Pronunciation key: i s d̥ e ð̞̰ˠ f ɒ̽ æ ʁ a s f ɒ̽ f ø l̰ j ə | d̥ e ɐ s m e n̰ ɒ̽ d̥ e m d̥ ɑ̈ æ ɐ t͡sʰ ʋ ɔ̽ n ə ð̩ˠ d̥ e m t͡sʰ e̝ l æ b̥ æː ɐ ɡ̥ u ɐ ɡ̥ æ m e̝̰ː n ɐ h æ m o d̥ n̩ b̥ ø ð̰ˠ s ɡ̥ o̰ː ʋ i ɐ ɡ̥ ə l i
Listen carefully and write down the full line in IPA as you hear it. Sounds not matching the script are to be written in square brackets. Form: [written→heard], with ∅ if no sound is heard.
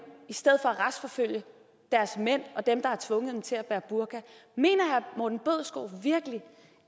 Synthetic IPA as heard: i s d̥ e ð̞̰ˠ f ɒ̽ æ ʁ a s f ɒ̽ f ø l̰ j ə | d̥ [e→æ] ɐ s m e n̰ ɒ̽ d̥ e m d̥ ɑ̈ æ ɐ t͡sʰ ʋ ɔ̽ [n→ŋ] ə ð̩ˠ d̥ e m t͡sʰ e̝ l æ b̥ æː ɐ [ɡ̥→b̥] u ɐ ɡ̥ æ m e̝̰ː n ɐ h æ m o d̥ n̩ b̥ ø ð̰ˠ s ɡ̥ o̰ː ʋ i ɐ ɡ̥ ə l i